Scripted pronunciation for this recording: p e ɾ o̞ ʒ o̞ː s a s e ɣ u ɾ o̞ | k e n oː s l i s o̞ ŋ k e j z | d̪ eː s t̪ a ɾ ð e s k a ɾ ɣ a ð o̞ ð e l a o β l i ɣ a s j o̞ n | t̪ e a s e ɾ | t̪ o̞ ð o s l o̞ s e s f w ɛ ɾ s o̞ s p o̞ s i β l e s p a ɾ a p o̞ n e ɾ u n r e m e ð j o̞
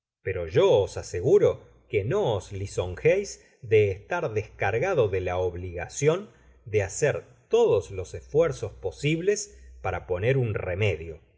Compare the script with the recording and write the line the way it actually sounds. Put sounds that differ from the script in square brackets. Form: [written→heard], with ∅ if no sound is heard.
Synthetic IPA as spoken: p e ɾ o̞ ʒ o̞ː s a s e ɣ u ɾ o̞ | k e n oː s l i s o̞ ŋ [k→x] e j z | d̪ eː s t̪ a ɾ ð e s k a ɾ ɣ a ð o̞ ð e l a o β l i ɣ a s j o̞ n | [t̪→d̪] e a s e ɾ | t̪ o̞ ð o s l o̞ s e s f w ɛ ɾ s o̞ s p o̞ s i β l e s p a ɾ a p o̞ n e ɾ u n r e m e ð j o̞